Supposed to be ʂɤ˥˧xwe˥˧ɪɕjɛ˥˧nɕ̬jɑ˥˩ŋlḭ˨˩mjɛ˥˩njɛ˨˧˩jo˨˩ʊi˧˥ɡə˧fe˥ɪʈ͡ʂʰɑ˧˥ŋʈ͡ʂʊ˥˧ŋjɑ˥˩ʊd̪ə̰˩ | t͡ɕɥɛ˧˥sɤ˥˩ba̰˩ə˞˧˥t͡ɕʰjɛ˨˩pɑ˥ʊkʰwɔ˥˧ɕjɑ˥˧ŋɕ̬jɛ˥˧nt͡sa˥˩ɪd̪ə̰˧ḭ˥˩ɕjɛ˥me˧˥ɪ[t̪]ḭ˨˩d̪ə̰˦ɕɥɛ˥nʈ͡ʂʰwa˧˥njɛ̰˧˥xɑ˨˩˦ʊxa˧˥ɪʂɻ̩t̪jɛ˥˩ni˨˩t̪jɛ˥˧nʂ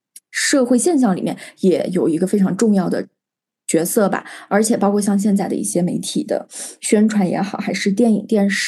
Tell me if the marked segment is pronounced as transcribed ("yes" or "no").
no